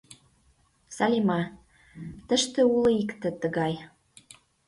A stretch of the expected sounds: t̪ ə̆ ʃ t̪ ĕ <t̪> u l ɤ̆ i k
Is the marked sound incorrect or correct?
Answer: incorrect